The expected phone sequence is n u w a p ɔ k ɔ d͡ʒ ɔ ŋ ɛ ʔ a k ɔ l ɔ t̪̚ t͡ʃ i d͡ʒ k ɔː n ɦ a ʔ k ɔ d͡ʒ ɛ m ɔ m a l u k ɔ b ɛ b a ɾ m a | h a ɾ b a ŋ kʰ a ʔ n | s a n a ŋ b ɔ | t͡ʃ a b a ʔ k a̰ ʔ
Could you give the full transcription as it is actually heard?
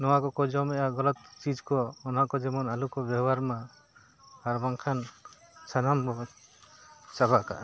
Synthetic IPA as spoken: n ɔ w a k ɔ k ɔ d͡ʒ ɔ m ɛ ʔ a ɡ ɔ l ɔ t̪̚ t͡ʃ i d͡ʒ k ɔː n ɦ a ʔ k ɔ d͡ʒ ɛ m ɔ n a l u k ɔ b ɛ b a ɾ m a | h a ɾ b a ŋ kʰ a n | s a n a m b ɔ | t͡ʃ a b a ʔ k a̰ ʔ